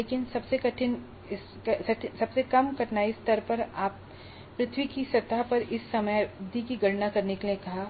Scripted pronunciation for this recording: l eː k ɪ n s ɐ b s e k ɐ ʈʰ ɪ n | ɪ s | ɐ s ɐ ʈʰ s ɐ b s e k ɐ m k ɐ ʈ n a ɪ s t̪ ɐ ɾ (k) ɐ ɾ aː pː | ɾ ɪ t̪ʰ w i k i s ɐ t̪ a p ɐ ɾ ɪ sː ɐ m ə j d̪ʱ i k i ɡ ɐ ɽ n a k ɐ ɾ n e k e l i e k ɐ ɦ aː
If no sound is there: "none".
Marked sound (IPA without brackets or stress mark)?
p